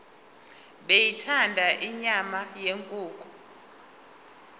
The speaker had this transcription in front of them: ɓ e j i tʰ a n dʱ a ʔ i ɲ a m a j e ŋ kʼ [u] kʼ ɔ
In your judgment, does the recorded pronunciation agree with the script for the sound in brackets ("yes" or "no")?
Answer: no